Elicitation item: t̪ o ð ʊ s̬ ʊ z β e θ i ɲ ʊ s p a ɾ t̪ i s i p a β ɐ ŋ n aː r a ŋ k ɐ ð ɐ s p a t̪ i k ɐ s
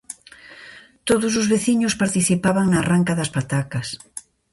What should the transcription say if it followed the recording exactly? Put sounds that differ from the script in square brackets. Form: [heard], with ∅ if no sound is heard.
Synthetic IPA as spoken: t̪ o ð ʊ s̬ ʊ z β e θ i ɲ ʊ s p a ɾ t̪ i [θ] i p a β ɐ ŋ n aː r a ŋ k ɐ ð ɐ s p a t̪ [a] k ɐ s